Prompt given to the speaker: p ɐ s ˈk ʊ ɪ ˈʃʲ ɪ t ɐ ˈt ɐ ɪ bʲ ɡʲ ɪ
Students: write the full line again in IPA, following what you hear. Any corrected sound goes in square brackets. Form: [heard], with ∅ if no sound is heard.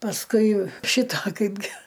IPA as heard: p ɐ s ˈk ʊ ɪ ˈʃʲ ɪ t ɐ [ˈk] ɐ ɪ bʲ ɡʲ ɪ